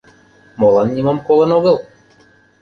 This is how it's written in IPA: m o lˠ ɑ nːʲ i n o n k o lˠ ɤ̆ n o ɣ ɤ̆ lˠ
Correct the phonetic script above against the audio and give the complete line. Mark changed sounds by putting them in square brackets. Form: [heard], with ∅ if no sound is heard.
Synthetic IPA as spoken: m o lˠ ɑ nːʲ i [m] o [m] k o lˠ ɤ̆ n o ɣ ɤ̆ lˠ